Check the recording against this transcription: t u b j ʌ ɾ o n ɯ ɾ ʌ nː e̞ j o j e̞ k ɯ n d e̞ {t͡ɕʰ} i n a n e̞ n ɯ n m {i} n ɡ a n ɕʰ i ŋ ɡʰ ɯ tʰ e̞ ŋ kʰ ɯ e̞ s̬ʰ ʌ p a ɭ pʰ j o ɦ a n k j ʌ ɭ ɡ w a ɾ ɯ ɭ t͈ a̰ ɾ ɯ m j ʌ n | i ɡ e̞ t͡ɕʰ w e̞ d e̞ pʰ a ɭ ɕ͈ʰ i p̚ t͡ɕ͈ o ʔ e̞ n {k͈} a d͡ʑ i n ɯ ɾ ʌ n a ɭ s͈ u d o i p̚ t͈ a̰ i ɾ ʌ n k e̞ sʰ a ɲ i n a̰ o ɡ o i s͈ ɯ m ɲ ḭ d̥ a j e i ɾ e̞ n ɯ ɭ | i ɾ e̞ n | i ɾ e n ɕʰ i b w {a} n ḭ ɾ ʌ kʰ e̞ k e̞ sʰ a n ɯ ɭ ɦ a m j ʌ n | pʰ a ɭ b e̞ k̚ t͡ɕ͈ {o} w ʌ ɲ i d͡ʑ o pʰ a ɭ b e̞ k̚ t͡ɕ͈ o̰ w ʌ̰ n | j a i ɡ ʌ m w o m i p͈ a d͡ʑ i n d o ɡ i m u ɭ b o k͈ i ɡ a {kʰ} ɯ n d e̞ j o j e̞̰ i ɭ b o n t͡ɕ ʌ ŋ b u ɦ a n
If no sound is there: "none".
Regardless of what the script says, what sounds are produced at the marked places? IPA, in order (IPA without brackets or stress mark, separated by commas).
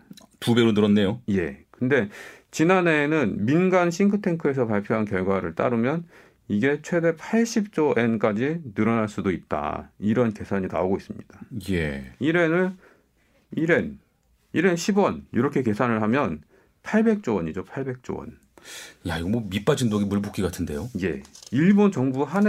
t͡ɕ, i, k͈, ʌ, o, tʰ